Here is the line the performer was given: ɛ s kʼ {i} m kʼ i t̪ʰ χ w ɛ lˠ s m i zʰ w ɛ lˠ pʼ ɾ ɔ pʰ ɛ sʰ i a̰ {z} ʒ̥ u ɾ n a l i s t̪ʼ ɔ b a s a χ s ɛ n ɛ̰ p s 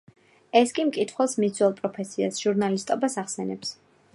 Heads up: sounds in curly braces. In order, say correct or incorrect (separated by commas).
correct, incorrect